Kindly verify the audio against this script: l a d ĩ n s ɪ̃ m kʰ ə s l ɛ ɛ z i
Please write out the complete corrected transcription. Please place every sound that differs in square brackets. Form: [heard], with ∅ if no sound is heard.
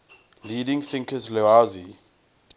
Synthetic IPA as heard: l [i] d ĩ [ŋ] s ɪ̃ [ŋ] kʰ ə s l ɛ [a] z i